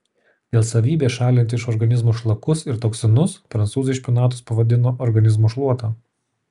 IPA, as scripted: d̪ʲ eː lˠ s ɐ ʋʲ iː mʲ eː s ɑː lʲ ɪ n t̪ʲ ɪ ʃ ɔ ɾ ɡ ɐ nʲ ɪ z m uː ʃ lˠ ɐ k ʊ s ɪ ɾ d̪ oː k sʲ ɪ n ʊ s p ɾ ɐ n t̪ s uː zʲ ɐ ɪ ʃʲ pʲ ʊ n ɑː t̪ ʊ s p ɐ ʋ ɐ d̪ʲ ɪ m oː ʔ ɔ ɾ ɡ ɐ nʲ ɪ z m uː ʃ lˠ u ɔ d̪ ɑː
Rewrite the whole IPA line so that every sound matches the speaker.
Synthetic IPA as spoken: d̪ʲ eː lˠ s ɐ ʋʲ iː bʲ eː ʃ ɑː lʲ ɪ n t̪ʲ ɪ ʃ ɔ ɾ ɡ ɐ nʲ ɪ z m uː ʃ lˠ ɐ k ʊ s ɪ ɾ t̪ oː k sʲ ɪ n ʊ s p ɾ ɐ n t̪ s uː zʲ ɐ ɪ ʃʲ pʲ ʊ n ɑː t̪ ʊ s p ɐ ʋ ɐ d̪ʲ ɪ n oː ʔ ɔ ɾ ɡ ɐ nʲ ɪ z m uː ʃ lˠ u ɔ t̪ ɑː